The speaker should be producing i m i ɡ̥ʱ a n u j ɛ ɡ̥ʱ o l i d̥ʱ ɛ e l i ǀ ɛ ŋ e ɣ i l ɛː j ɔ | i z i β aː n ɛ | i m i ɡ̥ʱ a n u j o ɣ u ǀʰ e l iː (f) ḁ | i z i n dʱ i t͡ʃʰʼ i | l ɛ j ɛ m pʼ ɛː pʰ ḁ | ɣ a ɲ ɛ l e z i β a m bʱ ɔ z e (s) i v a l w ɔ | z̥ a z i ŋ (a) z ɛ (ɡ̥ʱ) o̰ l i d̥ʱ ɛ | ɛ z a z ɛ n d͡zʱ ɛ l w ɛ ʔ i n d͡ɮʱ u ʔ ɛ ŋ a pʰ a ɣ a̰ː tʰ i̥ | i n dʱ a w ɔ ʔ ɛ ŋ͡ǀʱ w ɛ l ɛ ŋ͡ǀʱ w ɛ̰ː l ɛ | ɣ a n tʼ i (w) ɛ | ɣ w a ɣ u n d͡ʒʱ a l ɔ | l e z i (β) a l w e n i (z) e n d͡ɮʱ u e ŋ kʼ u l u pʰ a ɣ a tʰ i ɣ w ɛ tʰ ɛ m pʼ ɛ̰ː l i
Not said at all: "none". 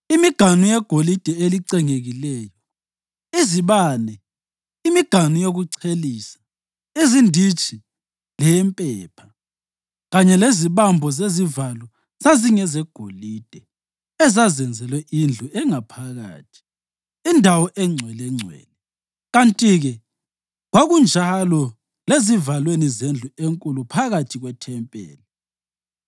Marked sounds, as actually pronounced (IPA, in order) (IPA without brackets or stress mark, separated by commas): s, z, ɛ, ɡ̥ʱ, ɣ, v, z